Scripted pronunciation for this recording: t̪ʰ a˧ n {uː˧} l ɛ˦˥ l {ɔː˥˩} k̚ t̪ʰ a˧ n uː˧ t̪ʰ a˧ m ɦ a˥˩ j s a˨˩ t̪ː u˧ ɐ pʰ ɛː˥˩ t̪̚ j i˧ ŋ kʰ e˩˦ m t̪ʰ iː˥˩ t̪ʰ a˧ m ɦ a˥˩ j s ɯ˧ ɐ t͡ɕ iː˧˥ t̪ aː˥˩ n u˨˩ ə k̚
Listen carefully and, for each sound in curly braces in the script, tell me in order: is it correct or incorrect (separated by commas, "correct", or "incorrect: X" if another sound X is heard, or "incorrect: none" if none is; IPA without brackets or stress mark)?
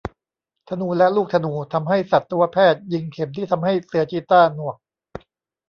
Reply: correct, incorrect: uː˥˩